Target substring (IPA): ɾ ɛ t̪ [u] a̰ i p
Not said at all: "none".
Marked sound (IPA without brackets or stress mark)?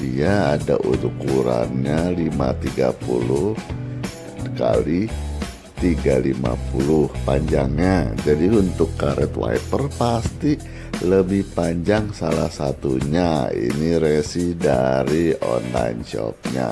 w